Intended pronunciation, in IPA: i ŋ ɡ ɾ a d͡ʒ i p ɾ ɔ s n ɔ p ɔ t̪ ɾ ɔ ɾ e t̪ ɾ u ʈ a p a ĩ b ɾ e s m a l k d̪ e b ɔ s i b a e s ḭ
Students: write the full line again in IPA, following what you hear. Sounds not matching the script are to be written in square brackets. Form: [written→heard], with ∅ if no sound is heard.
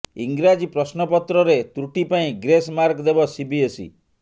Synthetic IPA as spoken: i ŋ ɡ ɾ a d͡ʒ i p ɾ ɔ s n ɔ p ɔ t̪ ɾ ɔ ɾ e t̪ ɾ u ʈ [a→i] p a ĩ [b→ɡ] ɾ e s m a [l→ɾ] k d̪ e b ɔ s i b [a→i] e s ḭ